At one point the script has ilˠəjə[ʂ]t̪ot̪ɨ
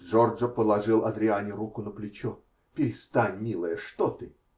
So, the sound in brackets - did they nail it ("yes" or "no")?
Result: yes